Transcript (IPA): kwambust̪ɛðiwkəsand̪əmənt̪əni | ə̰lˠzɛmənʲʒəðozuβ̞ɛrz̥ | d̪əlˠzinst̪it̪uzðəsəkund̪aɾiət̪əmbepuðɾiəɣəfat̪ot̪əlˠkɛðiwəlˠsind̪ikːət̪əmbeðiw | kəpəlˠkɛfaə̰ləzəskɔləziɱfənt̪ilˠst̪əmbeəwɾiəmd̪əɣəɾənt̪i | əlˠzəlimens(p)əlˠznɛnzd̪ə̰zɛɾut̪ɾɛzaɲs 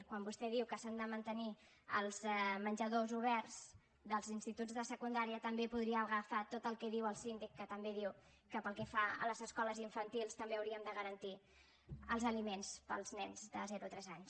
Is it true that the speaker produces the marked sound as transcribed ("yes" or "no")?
yes